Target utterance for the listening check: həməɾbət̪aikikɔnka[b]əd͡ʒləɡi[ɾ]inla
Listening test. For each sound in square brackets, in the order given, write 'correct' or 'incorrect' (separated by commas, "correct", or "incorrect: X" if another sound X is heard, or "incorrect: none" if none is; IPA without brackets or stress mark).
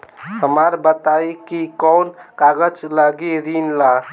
incorrect: ɡ, correct